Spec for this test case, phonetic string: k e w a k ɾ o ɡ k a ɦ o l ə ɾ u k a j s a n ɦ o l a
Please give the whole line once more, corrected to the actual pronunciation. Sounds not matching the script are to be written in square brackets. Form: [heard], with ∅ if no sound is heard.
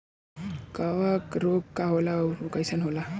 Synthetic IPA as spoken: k [a] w a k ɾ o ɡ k a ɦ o l [a] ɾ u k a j s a n ɦ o l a